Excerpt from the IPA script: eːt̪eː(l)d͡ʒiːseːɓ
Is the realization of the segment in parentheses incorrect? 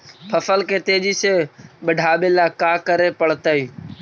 yes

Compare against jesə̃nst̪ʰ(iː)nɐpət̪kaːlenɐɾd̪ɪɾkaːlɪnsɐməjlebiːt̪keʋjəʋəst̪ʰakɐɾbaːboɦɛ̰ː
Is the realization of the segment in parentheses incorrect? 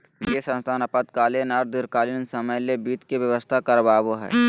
yes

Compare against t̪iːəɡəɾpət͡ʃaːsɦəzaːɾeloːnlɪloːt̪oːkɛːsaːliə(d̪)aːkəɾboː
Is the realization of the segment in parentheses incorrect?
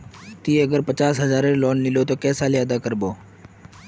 no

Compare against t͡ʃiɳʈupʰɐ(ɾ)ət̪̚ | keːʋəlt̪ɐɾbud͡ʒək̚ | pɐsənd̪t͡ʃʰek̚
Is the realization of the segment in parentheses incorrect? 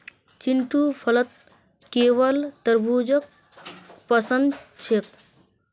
yes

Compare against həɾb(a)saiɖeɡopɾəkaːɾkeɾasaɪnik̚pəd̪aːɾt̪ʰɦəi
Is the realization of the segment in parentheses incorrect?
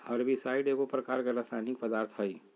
yes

